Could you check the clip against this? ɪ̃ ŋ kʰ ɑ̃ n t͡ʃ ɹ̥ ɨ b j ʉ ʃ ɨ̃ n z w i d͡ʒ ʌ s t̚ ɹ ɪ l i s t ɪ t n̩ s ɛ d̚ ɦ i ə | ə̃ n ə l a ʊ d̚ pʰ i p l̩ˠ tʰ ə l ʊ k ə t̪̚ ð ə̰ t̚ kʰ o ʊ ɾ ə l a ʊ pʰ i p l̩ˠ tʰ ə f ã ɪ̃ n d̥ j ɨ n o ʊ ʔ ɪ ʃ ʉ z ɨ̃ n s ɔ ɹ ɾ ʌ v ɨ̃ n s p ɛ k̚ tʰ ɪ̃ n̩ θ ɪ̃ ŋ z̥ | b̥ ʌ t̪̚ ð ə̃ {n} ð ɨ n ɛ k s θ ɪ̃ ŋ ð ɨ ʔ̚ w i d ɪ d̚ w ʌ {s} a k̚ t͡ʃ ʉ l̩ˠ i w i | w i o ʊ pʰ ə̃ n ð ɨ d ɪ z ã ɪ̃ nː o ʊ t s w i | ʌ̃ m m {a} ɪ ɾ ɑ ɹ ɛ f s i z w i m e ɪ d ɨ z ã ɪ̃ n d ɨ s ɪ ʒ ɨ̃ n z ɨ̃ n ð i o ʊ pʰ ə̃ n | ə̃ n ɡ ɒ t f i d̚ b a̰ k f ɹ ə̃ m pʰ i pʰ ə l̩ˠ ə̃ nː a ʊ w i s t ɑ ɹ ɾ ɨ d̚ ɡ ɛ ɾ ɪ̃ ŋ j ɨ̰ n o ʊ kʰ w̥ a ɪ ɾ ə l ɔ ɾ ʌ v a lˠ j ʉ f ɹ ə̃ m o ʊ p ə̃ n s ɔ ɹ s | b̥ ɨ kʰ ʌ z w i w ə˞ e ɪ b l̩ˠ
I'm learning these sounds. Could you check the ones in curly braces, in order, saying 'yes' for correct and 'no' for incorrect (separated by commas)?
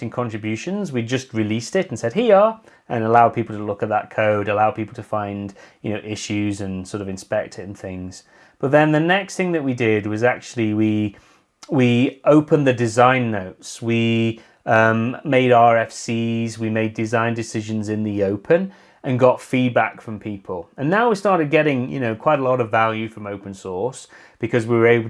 yes, no, no